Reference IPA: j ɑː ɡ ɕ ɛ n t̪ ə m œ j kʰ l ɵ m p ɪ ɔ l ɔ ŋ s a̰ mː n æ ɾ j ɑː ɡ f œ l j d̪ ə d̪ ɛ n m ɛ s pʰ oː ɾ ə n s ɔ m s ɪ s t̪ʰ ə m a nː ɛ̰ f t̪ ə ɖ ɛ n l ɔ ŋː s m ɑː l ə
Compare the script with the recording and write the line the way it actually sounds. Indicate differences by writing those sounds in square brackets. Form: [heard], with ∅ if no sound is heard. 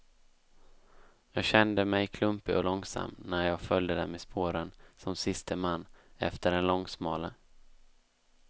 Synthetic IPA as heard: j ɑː ɡ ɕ ɛ n [d̪] ə m [ɛ] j kʰ l ɵ m p ɪ ɔ l ɔ ŋ s a̰ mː n æ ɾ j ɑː ɡ f œ l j d̪ ə d̪ ɛ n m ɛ s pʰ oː ɾ ə n s ɔ m s ɪ s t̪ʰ ə m a nː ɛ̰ f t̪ ə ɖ ɛ n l ɔ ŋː s m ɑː l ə